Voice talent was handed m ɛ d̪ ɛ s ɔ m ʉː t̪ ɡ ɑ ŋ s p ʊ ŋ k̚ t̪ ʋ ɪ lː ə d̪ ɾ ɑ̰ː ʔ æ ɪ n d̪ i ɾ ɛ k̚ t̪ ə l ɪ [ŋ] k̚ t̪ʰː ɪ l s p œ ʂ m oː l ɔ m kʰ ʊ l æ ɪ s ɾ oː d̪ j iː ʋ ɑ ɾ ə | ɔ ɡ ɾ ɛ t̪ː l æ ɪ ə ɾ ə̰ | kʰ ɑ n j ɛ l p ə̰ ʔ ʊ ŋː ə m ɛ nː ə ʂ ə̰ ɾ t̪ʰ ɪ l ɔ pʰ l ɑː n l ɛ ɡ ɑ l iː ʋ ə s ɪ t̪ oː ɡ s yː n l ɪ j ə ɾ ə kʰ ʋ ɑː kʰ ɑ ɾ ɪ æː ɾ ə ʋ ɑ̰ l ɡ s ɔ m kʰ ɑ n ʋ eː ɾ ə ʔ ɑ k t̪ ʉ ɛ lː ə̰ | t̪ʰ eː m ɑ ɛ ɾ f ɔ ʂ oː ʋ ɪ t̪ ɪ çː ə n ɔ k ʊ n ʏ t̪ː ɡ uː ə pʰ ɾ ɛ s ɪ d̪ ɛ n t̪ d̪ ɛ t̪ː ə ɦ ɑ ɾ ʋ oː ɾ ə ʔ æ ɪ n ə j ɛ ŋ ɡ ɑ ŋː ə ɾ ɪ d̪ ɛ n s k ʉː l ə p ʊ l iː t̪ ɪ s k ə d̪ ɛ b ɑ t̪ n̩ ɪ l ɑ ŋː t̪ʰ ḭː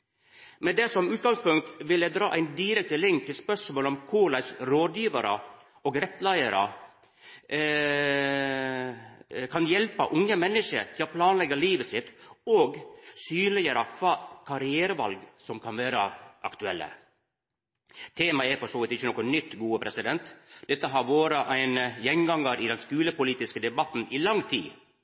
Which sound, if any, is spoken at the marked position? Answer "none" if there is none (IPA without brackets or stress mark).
ŋ